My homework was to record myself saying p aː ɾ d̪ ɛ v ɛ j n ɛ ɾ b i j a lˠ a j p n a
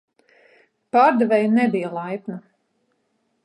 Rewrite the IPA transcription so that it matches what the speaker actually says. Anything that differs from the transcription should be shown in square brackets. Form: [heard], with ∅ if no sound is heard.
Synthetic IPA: p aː ɾ d̪ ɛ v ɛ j n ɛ [∅] b i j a lˠ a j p n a